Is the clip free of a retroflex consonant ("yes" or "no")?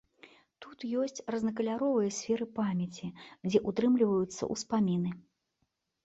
yes